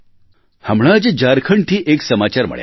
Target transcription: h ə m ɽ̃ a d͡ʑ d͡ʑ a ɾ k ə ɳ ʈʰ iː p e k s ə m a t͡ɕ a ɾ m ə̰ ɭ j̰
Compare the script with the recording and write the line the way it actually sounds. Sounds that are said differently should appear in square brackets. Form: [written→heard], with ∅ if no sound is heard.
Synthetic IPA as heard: h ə m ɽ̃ a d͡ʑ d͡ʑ a ɾ [k→kʰ] ə ɳ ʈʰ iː [p→ʔ] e k s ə m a t͡ɕ a ɾ m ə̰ ɭ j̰